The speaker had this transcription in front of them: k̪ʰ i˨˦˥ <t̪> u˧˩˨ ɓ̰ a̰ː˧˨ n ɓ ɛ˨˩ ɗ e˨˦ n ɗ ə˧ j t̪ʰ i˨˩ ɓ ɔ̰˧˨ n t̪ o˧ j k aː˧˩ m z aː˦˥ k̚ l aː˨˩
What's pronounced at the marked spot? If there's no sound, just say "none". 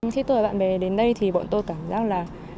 t̪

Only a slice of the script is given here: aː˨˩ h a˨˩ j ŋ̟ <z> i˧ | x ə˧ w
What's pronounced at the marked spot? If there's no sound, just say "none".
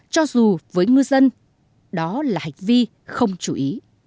v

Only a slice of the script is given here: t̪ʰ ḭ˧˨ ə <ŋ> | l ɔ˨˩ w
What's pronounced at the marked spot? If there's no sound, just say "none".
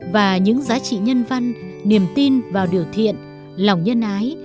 n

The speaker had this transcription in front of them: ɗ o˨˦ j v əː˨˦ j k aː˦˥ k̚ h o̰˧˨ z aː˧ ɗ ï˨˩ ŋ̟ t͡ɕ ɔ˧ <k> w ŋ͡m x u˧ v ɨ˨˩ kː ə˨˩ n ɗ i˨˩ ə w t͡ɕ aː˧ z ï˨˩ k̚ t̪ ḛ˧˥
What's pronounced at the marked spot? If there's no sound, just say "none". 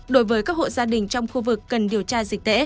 none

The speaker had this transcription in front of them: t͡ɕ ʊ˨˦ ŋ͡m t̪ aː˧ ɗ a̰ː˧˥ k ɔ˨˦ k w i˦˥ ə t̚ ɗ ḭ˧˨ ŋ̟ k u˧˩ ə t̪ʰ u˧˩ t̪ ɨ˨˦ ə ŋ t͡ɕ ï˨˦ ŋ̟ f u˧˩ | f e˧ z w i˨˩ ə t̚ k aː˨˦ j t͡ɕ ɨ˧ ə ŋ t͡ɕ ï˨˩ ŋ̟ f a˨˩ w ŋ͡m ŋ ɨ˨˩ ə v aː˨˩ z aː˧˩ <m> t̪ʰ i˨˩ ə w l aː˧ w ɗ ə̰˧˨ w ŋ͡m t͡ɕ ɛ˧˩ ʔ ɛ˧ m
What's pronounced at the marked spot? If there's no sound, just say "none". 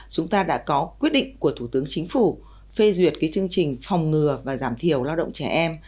m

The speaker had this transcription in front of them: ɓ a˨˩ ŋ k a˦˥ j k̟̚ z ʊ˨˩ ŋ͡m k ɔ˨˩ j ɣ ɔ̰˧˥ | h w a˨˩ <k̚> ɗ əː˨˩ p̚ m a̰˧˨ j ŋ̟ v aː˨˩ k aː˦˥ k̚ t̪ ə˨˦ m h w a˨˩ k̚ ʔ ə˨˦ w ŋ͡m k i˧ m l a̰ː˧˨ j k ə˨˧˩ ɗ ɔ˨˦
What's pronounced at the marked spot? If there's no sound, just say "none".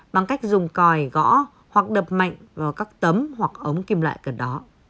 k̚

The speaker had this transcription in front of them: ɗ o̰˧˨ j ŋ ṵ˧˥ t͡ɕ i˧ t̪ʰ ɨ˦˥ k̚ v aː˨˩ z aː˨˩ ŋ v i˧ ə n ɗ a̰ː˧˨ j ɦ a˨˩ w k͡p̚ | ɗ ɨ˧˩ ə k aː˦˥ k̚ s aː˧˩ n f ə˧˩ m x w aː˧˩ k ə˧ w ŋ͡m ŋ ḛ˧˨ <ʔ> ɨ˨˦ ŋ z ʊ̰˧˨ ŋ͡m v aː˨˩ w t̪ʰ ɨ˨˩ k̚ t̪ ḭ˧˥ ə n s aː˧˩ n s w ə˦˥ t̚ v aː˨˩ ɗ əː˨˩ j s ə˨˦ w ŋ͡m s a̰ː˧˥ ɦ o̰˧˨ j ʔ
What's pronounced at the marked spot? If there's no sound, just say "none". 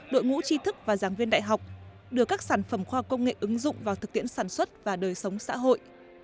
ʔ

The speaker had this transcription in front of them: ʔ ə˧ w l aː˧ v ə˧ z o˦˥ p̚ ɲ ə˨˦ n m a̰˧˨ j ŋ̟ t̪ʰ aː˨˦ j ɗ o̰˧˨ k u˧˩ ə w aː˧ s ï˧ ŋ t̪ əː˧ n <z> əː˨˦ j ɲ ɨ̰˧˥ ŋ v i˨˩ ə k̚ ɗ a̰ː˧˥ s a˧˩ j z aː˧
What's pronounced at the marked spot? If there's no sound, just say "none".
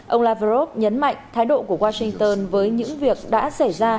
v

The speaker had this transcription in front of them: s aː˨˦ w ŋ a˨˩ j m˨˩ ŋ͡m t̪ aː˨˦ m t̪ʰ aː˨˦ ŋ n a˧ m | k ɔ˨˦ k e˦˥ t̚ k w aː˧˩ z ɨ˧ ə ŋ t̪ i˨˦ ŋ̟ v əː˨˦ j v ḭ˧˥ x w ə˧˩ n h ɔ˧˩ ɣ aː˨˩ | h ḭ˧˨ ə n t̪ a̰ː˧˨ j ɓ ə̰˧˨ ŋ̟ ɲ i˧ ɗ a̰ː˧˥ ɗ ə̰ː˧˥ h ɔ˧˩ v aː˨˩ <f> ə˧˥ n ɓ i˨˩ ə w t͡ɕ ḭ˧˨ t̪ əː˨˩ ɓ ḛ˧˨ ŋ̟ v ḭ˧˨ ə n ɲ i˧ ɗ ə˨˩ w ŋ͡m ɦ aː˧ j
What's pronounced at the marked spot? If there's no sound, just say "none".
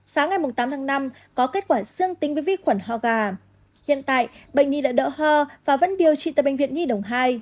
v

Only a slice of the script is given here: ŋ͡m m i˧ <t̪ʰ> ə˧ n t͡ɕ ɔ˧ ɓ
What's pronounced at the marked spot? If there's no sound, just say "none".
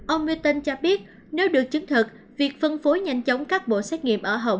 t̪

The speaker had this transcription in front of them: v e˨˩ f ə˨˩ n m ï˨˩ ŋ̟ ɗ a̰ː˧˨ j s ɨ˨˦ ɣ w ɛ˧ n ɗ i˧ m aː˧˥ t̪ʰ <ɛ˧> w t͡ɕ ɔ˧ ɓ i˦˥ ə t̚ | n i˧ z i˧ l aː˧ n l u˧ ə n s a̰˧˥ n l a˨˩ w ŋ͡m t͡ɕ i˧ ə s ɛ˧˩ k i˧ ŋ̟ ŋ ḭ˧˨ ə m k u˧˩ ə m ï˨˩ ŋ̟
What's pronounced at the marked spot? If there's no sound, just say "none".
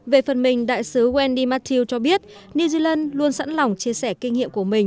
i˧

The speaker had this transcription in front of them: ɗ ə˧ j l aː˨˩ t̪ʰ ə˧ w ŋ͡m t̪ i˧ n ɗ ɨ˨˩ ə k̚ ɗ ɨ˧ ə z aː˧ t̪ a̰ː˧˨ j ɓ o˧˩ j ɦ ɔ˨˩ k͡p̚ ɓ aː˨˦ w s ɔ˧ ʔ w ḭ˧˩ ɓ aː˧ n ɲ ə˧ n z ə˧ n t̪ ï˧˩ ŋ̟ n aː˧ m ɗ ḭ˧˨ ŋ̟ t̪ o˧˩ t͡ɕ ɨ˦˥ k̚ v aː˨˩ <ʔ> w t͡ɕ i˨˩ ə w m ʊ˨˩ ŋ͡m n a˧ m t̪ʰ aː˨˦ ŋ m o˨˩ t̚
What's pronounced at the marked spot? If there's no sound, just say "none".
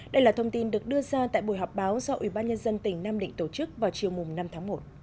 none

